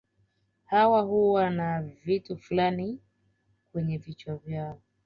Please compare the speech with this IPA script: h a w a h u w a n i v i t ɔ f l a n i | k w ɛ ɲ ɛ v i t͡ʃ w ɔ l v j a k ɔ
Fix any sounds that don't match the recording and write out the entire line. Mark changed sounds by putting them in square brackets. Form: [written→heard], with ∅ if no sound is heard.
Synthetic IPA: h a w a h u w a n [i→a] v i t [ɔ→u] f l a n i | k w ɛ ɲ ɛ v i t͡ʃ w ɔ [l→∅] v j a [k→∅] ɔ